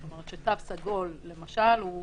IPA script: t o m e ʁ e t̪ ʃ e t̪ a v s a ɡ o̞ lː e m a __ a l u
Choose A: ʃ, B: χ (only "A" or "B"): A